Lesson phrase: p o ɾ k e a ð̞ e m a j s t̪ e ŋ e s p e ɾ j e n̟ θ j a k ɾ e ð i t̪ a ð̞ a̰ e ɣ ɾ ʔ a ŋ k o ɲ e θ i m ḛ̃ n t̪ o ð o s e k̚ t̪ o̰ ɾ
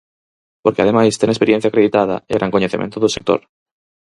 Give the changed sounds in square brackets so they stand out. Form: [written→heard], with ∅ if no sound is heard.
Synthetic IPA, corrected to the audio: p o ɾ k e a ð̞ e m a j s t̪ e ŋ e s p e ɾ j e n̟ θ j a k ɾ e ð i t̪ a ð̞ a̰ e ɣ ɾ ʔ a ŋ k o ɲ e θ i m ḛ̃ n t̪ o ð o s e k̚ t̪ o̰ ɾ